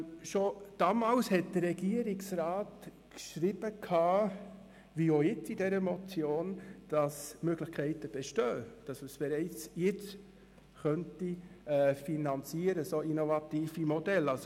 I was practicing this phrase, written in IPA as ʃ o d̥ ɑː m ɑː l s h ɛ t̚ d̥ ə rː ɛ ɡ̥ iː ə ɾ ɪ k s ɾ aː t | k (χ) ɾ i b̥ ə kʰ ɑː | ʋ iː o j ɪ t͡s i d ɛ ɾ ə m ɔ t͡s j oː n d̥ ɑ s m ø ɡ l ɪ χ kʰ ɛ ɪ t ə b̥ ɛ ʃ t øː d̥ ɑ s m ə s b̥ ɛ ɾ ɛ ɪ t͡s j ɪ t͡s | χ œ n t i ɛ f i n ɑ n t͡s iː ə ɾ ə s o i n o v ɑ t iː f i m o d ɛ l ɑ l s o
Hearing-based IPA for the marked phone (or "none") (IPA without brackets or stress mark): ʃ